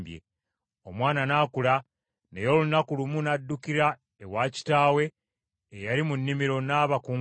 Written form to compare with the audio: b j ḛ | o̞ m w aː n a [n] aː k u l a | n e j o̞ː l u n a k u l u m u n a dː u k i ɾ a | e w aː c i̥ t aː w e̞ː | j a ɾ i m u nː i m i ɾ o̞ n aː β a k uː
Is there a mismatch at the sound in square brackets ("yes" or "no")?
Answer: no